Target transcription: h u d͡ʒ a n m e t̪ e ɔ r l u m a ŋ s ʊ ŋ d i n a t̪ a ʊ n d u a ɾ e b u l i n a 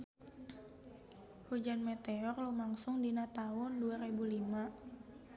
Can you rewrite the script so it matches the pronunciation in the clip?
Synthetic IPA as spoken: h u d͡ʒ a n m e t̪ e ɔ r l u m a ŋ s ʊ ŋ d i n a t̪ a ʊ n d u a ɾ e b u l i m a